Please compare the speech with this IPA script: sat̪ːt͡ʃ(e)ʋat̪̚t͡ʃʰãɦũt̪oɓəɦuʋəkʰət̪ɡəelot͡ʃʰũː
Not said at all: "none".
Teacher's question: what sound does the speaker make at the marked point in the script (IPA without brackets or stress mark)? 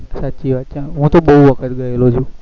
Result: i